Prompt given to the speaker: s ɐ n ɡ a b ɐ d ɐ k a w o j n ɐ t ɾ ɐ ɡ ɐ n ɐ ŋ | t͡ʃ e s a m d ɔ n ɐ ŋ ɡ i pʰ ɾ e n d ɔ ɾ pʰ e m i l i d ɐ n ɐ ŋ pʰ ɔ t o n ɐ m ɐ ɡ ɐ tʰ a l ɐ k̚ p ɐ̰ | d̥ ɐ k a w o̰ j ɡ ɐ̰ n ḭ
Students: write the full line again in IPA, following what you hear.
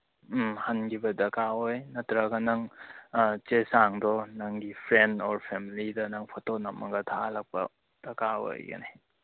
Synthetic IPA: h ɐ n ɡ i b ɐ d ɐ k a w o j n ɐ t ɾ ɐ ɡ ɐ n ɐ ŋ | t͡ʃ e s a ŋ d ɔ n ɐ ŋ ɡ i pʰ ɾ e n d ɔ ɾ pʰ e m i l i d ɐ n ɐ ŋ pʰ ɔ t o n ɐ m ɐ ɡ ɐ tʰ a l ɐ k̚ p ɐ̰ | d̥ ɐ k a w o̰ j ɡ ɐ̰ n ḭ

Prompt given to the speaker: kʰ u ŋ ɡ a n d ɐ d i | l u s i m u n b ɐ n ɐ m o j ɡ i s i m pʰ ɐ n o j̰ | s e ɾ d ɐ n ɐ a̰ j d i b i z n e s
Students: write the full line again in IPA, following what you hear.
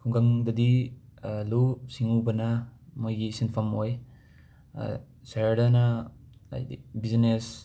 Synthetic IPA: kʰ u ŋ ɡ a ŋ d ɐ d i | l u s i ŋ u b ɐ n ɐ m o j ɡ i s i n pʰ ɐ m o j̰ | s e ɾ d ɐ n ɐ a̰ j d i b i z n e s

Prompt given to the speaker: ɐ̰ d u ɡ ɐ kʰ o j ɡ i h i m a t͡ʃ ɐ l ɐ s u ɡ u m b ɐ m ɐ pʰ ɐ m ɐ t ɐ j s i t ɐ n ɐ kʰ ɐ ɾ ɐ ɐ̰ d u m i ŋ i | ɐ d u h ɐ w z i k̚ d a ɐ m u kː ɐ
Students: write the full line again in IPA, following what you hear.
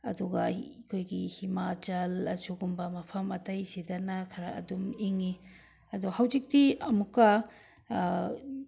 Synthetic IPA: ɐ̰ d u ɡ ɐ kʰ o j ɡ i h i m a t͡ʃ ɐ l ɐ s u ɡ u m b ɐ m ɐ pʰ ɐ m ɐ t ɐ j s i d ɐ n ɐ kʰ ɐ ɾ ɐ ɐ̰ d u m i ŋ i | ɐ d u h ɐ w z i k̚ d i ɐ m u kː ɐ

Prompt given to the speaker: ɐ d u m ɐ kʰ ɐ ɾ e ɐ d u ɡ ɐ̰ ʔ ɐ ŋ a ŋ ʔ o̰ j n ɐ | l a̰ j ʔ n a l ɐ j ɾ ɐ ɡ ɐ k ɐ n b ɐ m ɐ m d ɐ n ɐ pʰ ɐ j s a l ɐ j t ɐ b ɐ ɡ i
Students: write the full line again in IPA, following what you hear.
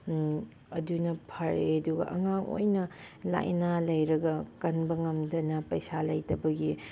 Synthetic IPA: ɐ d u n ɐ pʰ ɐ ɾ e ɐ d u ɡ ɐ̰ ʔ ɐ ŋ a ŋ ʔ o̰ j n ɐ | l a̰ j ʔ n a l ɐ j ɾ ɐ ɡ ɐ k ɐ n b ɐ ŋ ɐ m d ɐ n ɐ p ɐ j s a l ɐ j t ɐ b ɐ ɡ i

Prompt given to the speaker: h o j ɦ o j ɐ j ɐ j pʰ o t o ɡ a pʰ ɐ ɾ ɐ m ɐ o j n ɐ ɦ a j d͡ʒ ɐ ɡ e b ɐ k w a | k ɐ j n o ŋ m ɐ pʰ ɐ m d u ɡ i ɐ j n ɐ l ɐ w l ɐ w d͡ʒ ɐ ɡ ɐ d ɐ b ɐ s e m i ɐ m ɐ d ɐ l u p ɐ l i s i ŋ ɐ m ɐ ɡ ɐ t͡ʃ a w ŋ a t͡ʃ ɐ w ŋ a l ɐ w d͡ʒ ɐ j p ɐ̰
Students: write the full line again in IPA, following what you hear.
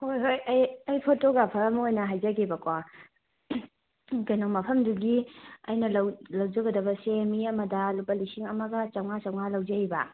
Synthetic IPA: h o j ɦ o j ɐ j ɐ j pʰ o t o ɡ a pʰ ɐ ɾ ɐ m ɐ o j n ɐ ɦ a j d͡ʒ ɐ ɡ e b ɐ k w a | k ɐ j n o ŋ m ɐ pʰ ɐ m d u ɡ i ɐ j n ɐ l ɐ w l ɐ w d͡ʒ ɐ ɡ ɐ d ɐ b ɐ s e m i ɐ m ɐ d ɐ l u p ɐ l i s i ŋ ɐ m ɐ ɡ ɐ t͡ʃ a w ŋ a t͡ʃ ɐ w ŋ a l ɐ w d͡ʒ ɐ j b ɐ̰

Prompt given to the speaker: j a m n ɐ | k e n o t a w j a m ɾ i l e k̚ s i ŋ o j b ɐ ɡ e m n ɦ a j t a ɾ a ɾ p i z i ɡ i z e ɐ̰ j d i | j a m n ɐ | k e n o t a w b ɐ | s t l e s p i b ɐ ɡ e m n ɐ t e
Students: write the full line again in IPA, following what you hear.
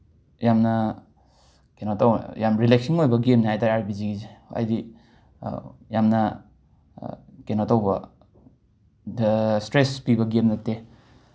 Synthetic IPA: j a m n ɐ | k e n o t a w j a m ɾ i l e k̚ s i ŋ o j b ɐ ɡ e m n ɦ a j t a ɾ a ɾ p i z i ɡ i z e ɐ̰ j d i | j a m n ɐ | k e n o t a w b ɐ | s t ɾ e s p i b ɐ ɡ e m n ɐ t e

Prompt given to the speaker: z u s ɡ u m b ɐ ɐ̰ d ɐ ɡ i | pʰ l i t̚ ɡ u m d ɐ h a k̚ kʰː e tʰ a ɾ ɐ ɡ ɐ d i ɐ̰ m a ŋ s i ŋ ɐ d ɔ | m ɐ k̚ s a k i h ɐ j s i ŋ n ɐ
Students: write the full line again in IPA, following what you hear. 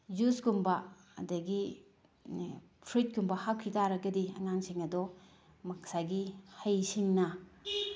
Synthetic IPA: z u s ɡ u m b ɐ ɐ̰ d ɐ ɡ i | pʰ ɾ i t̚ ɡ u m b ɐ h a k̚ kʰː i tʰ a ɾ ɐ ɡ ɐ d i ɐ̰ ŋ a ŋ s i ŋ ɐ d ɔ | m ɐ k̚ s a ɡ i h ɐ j s i ŋ n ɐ

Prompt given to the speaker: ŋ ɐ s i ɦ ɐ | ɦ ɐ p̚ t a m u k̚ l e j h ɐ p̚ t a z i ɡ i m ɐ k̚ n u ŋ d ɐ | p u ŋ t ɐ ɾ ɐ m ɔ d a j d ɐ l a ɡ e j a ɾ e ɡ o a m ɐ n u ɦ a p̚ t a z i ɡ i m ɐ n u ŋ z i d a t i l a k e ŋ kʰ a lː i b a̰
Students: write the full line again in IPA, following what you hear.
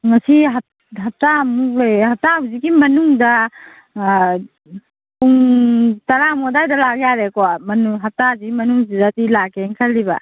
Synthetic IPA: ŋ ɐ s i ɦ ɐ | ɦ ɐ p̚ t a m u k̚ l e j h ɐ p̚ t a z i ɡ i m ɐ n u ŋ d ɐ | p u ŋ t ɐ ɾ a m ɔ d a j d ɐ l a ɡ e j a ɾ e k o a m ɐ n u ɦ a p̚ t a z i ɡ i m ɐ n u ŋ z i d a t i l a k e ŋ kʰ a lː i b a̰

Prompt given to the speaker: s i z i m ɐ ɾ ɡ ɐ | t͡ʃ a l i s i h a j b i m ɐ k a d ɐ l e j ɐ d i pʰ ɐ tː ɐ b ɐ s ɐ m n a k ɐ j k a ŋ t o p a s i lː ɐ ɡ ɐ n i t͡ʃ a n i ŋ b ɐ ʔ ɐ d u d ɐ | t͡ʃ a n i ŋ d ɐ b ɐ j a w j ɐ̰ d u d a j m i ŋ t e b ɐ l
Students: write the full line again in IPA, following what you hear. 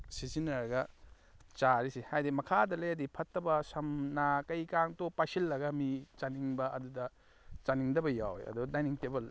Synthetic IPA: s i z i n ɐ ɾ ɡ ɐ | t͡ʃ a ɾ i s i h a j d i m ɐ kʰ a d ɐ l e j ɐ d i pʰ ɐ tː ɐ b ɐ s ɐ m n a k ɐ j k a ŋ t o p a s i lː ɐ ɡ ɐ m i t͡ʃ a n i ŋ b ɐ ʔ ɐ d u d ɐ | t͡ʃ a n i ŋ d ɐ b ɐ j a w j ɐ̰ d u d a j n i ŋ t e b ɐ l

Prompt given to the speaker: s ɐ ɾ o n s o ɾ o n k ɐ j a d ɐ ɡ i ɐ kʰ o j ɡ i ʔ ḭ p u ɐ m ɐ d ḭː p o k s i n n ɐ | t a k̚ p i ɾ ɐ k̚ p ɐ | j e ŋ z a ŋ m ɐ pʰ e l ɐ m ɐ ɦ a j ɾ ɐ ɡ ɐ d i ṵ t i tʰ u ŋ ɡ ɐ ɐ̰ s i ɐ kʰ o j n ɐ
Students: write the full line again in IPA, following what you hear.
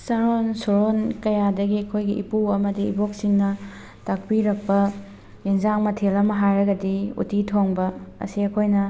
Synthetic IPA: s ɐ ɾ o n s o ɾ o n k ɐ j a d ɐ ɡ i ɐ kʰ o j ɡ i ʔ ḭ p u ɐ m ɐ d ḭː b o k s i ŋ n ɐ | t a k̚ p i ɾ ɐ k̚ p ɐ | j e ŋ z a ŋ m ɐ tʰ e l ɐ m ɐ ɦ a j ɾ ɐ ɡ ɐ d i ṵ t i tʰ o ŋ b ɐ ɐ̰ s i ɐ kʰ o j n ɐ

